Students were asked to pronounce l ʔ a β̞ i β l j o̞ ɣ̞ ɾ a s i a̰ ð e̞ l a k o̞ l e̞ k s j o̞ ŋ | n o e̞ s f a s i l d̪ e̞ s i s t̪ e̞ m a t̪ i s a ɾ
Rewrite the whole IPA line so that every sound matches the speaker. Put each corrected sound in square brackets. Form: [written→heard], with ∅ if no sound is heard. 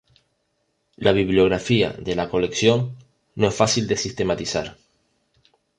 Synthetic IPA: l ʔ a β̞ i β l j o̞ ɣ̞ ɾ a [s→f] i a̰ ð e̞ l a k o̞ l e̞ k s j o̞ ŋ | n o e̞ s f a s i l d̪ e̞ s i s t̪ e̞ m a t̪ i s a ɾ